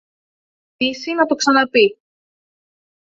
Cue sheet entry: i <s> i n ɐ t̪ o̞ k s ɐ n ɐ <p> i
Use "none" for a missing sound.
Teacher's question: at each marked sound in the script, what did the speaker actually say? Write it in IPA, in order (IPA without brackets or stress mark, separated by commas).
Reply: s, p